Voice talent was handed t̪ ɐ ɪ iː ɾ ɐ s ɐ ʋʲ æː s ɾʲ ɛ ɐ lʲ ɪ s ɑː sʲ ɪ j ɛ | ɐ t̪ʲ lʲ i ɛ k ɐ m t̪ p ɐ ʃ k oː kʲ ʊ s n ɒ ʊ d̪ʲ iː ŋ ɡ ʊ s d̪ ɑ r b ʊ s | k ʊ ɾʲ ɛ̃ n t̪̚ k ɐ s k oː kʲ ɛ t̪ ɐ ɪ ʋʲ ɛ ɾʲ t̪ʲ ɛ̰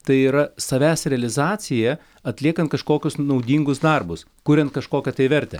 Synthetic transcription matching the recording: t̪ ɐ ɪ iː ɾ ɐ s ɐ ʋʲ æː s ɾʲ ɛ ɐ lʲ ɪ z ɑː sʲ ɪ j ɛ | ɐ t̪ʲ lʲ i ɛ k ɐ n t̪ k ɐ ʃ k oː kʲ ʊ s n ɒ ʊ d̪ʲ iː ŋ ɡ ʊ s d̪ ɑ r b ʊ s | k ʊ ɾʲ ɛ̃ n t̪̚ k ɐ ʃ k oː kʲ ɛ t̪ ɐ ɪ ʋʲ ɛ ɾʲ t̪ʲ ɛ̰